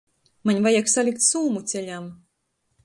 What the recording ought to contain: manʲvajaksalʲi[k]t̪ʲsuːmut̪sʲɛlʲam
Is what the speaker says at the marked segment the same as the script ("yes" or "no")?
yes